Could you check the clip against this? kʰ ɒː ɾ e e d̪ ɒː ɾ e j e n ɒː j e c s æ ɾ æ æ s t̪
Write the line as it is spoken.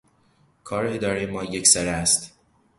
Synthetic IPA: kʰ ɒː ɾ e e d̪ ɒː ɾ e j e m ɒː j e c s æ ɾ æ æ s t̪